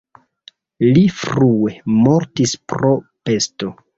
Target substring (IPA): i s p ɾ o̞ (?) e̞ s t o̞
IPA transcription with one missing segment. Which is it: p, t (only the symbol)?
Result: p